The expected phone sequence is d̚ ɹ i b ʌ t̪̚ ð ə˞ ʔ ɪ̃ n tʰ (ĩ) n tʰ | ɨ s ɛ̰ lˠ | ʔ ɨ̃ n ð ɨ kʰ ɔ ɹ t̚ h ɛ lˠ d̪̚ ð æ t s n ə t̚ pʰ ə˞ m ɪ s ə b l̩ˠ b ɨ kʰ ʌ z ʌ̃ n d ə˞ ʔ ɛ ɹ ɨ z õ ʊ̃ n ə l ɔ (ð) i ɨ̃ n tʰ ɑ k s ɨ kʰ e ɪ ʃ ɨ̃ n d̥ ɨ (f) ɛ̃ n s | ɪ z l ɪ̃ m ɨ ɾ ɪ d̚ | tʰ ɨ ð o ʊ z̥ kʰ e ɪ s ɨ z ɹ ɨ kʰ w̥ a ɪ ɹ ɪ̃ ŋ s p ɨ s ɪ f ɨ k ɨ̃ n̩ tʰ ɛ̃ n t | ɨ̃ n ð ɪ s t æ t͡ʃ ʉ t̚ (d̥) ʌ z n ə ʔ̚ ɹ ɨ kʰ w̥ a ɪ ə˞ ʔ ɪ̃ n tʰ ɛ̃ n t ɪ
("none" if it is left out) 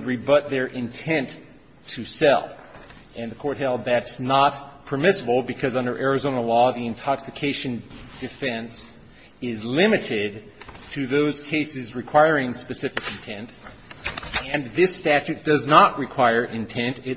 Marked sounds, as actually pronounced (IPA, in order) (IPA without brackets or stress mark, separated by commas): ɛ̃, ð, f, d̥